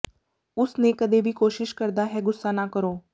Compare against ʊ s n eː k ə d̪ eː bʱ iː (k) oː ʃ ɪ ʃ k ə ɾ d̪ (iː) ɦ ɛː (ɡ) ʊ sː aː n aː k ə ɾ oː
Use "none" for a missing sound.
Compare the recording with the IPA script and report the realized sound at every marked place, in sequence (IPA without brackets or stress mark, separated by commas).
k, aː, ɡ